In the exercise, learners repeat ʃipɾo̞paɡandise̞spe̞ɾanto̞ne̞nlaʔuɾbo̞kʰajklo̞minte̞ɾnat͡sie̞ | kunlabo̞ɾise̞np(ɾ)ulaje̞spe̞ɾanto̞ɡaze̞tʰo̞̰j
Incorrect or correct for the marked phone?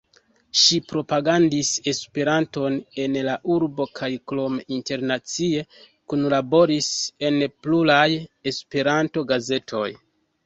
incorrect: l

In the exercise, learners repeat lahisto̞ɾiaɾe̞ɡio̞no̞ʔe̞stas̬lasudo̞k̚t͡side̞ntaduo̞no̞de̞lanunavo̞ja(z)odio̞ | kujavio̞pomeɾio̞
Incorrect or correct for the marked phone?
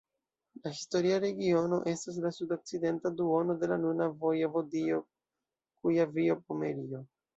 incorrect: v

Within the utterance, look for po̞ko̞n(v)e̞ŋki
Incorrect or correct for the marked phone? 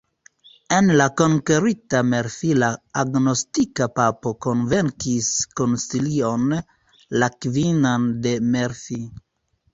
correct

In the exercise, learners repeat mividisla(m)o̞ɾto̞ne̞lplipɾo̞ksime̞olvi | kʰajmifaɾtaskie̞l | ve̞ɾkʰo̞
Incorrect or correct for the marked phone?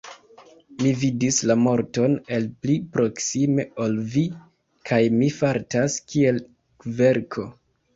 correct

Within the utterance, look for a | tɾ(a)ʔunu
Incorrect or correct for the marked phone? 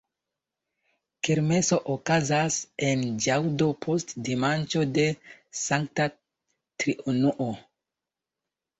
incorrect: i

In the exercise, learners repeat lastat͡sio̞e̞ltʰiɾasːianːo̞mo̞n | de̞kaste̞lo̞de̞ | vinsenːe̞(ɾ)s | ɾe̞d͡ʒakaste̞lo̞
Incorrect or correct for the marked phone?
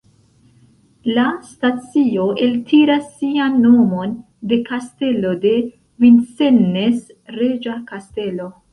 incorrect: none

